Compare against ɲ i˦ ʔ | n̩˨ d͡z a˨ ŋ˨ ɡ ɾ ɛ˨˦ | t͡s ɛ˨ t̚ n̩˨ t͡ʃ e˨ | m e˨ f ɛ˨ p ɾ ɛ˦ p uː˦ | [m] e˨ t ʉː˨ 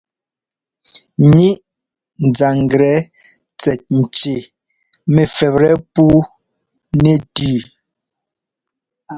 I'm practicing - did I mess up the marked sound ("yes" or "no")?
yes